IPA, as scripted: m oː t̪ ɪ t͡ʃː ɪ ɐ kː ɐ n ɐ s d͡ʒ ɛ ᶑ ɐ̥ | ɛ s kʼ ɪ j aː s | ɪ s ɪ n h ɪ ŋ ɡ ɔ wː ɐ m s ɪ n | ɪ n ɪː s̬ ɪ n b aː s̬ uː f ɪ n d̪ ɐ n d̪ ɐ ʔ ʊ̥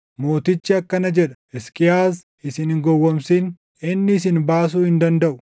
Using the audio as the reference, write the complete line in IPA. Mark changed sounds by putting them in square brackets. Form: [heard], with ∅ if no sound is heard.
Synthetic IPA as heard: m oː t̪ ɪ t͡ʃː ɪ ɐ kː ɐ n ɐ [∅] d͡ʒ ɛ ᶑ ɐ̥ | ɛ s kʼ ɪ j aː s | ɪ s ɪ n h ɪ ŋ ɡ ɔ wː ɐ m s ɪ n | ɪ [nː] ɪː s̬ ɪ n b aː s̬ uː [h] ɪ n d̪ ɐ n d̪ ɐ ʔ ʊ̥